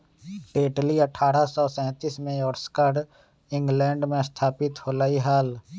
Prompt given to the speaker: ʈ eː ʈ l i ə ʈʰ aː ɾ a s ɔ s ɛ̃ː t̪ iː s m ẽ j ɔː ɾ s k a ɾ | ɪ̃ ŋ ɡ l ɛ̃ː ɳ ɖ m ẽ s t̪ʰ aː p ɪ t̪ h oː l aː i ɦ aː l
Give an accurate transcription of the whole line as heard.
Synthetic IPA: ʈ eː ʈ l i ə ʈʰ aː ɾ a s ɔ s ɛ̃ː t̪ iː s m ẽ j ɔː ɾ s k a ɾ | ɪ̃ ŋ ɡ l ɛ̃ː ɳ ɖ m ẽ s t̪ʰ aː p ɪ t̪ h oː l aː i ɦ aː l